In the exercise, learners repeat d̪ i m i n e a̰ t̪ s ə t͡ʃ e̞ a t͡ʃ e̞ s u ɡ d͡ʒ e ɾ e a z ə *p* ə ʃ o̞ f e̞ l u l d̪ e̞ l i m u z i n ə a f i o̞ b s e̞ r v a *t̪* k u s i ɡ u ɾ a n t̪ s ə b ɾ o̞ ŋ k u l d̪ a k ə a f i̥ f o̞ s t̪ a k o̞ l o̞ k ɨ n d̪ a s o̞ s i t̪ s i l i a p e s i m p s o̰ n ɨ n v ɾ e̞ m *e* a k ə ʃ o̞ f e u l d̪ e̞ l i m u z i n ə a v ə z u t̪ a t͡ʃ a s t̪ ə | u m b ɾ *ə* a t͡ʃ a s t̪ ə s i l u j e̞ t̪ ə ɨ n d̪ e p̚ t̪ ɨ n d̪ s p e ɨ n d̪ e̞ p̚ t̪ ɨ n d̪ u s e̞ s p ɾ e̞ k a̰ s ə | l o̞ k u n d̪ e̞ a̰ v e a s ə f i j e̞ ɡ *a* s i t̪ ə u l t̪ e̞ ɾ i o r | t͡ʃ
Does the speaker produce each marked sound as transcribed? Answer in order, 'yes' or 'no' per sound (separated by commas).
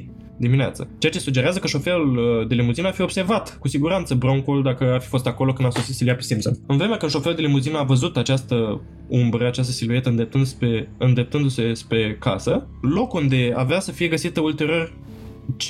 no, yes, yes, yes, no